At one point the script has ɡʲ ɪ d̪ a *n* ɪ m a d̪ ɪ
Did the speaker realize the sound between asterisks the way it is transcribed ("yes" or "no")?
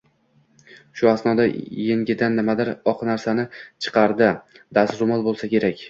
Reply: no